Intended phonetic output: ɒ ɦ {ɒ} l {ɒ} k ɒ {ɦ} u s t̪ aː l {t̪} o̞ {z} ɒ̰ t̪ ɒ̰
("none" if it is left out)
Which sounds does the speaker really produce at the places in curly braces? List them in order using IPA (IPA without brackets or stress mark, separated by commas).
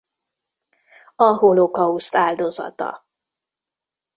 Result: o, o, none, d̪, z